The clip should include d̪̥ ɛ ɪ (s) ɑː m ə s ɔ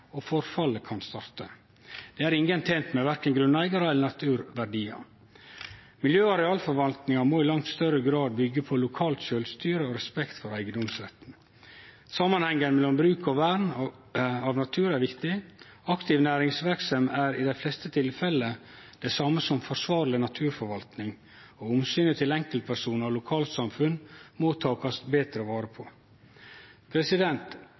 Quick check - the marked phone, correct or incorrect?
correct